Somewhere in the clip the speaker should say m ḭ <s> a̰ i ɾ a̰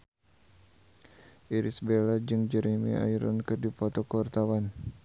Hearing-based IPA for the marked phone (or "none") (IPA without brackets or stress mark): none